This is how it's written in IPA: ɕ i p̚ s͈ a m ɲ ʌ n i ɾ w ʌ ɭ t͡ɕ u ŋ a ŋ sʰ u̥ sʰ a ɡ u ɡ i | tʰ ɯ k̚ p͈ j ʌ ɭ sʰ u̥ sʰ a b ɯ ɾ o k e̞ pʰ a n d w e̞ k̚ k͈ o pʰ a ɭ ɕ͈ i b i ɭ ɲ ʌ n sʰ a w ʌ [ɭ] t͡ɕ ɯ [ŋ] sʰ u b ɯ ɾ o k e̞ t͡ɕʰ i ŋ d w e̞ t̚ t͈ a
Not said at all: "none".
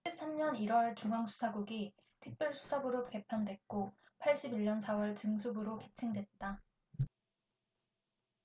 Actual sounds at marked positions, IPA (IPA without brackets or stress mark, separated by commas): ɭ, ŋ